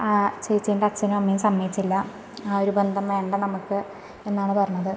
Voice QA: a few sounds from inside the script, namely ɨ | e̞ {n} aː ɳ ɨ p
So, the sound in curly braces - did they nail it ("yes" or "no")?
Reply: no